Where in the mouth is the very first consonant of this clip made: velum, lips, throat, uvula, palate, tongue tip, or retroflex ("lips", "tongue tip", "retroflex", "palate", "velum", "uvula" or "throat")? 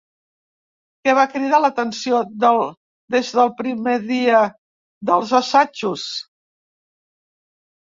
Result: velum